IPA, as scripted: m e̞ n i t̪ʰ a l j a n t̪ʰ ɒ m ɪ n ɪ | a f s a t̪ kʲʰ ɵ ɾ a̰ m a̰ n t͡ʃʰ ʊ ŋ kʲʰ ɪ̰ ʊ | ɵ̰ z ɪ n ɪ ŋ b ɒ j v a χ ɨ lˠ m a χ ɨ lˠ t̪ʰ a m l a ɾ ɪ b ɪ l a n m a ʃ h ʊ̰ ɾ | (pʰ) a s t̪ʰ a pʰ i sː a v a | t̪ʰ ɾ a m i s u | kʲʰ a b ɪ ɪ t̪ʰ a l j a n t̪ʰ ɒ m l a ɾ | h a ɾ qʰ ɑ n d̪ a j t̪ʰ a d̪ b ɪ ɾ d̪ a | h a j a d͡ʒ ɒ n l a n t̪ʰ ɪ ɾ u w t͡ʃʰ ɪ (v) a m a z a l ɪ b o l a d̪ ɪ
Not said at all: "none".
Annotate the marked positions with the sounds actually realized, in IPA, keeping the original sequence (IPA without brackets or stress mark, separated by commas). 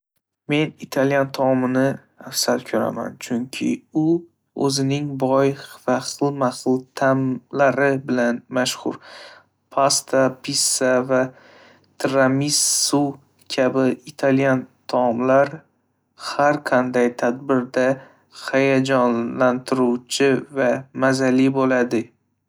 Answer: pʰ, v